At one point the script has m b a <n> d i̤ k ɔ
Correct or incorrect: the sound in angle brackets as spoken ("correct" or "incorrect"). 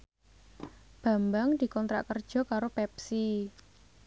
incorrect